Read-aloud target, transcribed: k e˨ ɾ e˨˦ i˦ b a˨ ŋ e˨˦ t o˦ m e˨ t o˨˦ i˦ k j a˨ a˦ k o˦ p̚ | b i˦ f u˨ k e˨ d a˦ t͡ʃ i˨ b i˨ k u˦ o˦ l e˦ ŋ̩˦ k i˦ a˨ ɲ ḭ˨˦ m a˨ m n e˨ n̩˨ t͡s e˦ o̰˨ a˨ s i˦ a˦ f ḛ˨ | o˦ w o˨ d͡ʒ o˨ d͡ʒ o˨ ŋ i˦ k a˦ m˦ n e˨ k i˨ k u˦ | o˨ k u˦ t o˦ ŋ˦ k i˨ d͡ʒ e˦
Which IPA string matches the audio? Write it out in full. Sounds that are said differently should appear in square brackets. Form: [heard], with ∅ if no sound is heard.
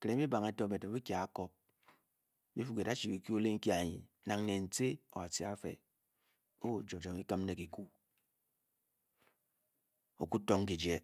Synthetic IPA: k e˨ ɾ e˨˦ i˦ b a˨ ŋ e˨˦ t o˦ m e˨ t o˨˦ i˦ k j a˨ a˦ k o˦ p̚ | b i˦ f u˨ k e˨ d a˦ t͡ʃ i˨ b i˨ k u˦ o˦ l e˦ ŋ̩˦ k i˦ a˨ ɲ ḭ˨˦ [n] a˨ [ŋ] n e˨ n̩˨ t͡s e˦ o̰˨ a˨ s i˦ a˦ f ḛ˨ | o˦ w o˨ d͡ʒ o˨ d͡ʒ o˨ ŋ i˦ k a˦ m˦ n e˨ k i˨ k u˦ | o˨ k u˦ t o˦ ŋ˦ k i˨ d͡ʒ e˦